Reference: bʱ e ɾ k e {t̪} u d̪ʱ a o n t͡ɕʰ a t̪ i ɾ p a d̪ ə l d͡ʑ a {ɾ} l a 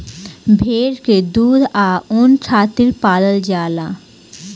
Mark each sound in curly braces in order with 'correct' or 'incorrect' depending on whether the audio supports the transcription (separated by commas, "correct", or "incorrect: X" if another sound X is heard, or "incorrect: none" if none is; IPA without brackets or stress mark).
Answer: incorrect: d̪, incorrect: none